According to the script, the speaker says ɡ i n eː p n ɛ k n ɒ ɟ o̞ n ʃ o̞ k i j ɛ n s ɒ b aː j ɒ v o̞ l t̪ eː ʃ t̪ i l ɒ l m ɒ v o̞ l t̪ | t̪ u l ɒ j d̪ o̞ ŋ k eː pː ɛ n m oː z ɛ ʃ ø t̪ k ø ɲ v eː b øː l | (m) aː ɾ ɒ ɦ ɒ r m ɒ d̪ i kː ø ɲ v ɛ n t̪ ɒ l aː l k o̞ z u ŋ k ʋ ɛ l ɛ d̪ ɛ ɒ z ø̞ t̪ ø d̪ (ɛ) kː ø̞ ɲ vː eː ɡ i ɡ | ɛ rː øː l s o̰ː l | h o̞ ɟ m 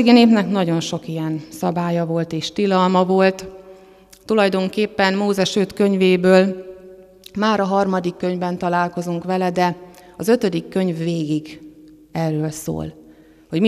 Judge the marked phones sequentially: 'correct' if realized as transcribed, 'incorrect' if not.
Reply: correct, incorrect: i

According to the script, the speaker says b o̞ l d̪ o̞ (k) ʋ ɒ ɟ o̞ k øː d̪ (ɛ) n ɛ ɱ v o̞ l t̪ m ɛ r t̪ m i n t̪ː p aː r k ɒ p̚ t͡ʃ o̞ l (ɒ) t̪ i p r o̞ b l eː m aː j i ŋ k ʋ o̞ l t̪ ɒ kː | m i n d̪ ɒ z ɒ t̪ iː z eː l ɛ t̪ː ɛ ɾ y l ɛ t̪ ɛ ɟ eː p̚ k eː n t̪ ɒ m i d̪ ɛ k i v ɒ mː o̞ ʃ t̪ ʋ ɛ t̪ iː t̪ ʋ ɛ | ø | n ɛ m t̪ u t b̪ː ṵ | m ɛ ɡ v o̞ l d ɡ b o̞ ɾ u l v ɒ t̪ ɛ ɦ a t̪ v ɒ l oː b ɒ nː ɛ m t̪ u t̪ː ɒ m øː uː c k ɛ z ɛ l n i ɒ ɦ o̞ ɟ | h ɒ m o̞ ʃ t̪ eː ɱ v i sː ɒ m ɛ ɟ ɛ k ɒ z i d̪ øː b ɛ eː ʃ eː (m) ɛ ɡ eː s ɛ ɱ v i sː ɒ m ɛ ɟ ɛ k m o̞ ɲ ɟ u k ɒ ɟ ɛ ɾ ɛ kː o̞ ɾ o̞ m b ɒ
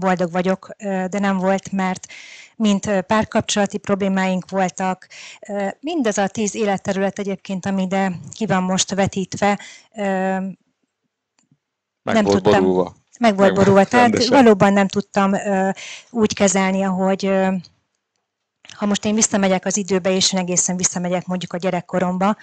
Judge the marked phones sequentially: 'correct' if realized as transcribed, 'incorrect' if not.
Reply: incorrect: ɡ, correct, correct, incorrect: n

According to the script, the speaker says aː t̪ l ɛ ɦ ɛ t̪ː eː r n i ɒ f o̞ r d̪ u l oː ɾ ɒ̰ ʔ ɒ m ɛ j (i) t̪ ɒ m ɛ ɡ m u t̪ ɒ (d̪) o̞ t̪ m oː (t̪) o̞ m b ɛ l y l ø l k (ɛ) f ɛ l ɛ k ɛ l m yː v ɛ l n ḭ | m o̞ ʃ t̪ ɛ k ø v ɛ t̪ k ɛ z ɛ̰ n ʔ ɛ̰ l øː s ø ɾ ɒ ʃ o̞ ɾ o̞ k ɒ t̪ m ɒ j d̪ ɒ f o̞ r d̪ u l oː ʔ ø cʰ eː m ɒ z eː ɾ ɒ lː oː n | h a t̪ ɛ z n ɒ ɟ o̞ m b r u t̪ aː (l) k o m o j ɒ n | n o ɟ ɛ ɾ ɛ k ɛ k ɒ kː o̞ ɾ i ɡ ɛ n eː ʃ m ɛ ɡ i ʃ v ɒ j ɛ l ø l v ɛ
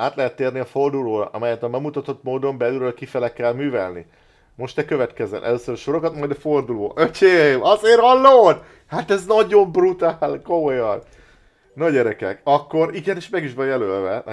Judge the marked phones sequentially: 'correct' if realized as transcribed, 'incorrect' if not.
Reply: incorrect: ɛ, incorrect: t̪, incorrect: d̪, incorrect: i, correct

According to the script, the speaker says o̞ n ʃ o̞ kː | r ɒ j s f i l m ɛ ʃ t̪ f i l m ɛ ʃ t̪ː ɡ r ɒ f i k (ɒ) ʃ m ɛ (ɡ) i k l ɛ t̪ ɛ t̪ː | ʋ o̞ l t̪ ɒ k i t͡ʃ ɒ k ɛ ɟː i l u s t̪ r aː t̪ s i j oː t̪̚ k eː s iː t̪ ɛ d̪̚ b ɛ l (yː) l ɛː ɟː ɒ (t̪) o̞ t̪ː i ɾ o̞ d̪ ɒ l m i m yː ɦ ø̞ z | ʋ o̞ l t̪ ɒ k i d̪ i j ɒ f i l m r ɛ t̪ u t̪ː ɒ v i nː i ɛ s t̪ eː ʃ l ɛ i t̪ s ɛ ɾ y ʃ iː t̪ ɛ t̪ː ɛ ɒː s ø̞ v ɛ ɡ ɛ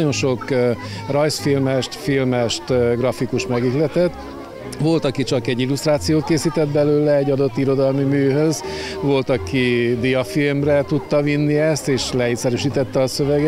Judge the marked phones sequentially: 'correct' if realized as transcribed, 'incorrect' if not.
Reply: incorrect: u, correct, incorrect: øː, incorrect: d̪

